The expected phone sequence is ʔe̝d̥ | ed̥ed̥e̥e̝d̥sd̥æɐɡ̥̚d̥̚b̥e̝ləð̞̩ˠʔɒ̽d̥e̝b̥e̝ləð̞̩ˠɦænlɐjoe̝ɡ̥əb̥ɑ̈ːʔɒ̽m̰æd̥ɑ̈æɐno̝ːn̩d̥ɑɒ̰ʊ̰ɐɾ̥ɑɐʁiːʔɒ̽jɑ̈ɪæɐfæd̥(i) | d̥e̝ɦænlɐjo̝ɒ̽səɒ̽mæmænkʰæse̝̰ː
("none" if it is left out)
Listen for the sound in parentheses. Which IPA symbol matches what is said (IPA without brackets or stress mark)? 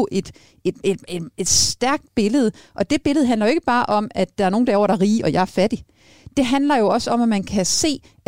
i